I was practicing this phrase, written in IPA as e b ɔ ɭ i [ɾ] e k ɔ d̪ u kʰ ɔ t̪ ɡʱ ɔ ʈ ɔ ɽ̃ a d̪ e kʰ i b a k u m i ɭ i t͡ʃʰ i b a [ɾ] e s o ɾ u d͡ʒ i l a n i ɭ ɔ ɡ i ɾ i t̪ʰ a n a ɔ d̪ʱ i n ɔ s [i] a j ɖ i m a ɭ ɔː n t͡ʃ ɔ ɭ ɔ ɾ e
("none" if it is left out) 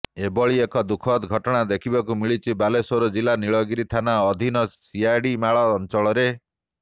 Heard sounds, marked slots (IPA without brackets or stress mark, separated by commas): none, l, i